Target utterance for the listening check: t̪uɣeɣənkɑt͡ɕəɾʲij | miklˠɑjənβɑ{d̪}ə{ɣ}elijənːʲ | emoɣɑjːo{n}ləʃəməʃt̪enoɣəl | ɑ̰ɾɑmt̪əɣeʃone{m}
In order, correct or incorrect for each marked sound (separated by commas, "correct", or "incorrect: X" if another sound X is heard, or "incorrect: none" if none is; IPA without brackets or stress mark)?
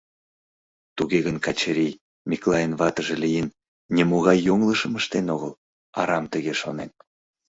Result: incorrect: t̪, incorrect: ʒ, incorrect: ŋ, incorrect: n